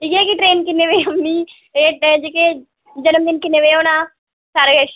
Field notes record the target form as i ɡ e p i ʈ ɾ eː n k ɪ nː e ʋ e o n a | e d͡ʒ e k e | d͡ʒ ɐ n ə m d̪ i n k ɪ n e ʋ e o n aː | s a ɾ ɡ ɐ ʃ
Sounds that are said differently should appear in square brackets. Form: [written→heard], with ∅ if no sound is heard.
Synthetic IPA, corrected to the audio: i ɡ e [p→k] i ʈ ɾ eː n k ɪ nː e ʋ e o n [a→i] | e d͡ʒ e k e | d͡ʒ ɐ n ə m d̪ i n k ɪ n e ʋ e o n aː | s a ɾ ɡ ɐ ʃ